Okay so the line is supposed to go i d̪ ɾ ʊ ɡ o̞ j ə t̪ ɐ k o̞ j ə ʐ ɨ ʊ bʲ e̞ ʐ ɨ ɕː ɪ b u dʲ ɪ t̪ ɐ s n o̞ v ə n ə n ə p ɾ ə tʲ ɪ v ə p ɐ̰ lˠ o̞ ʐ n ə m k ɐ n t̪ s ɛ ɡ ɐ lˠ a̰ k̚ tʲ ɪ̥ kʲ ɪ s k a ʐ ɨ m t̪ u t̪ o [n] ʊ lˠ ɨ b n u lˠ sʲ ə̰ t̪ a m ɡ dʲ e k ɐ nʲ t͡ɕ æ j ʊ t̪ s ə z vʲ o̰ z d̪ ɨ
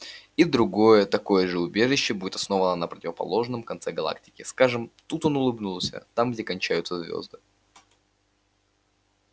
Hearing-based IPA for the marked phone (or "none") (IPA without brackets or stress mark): n